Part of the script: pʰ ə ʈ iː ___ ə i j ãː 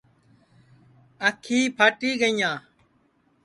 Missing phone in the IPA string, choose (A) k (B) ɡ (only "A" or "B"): B